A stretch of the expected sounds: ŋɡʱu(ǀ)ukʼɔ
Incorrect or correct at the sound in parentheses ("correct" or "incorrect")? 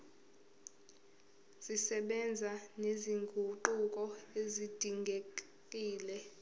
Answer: incorrect